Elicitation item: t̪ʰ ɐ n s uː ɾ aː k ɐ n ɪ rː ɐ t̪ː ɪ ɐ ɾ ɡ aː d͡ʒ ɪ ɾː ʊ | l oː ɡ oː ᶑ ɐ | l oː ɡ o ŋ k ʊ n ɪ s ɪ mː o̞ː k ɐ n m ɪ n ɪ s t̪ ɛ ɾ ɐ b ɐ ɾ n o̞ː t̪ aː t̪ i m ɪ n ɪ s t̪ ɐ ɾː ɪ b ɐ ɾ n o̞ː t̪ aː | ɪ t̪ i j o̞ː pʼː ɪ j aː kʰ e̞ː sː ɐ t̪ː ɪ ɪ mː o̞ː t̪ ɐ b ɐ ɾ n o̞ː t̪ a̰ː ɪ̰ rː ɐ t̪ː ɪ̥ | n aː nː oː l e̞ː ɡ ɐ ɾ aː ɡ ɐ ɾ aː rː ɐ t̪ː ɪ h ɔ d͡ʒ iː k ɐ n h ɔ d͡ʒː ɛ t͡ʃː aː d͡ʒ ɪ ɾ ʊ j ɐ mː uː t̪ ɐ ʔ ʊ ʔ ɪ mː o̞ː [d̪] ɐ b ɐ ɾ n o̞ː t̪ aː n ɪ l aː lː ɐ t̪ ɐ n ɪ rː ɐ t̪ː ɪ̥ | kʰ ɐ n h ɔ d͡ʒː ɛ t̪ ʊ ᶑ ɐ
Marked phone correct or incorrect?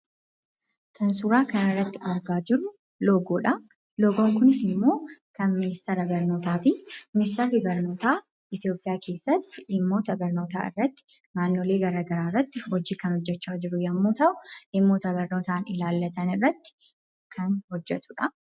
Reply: incorrect